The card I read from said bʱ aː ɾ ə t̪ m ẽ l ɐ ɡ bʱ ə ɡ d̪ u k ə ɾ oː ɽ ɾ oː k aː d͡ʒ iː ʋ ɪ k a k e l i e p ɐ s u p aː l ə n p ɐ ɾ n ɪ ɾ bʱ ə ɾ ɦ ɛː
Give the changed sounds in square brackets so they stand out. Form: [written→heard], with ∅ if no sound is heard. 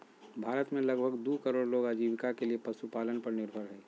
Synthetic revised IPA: bʱ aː ɾ ə t̪ m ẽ l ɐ ɡ bʱ ə ɡ d̪ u k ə ɾ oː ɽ [ɾ→l] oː [k→ɡ] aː d͡ʒ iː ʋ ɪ k a k e l i e p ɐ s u p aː l ə n p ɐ ɾ n ɪ ɾ bʱ ə ɾ ɦ ɛː